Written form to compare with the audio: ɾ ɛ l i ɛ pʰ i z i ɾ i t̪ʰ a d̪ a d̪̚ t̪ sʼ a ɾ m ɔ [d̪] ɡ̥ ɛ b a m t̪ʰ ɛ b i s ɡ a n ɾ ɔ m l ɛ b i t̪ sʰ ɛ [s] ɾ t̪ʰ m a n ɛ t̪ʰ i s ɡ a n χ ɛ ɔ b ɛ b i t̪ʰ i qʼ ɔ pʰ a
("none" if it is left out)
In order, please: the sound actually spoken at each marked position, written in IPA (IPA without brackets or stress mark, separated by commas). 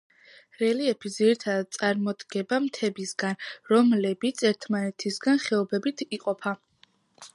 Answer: d̪, none